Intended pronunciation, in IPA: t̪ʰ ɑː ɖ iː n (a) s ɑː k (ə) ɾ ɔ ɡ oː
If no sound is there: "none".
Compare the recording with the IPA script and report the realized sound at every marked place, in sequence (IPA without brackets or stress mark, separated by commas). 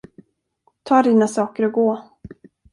a, ə